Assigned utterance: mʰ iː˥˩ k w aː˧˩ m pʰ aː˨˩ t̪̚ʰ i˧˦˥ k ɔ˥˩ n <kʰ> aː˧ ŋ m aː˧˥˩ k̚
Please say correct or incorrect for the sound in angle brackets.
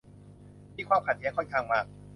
correct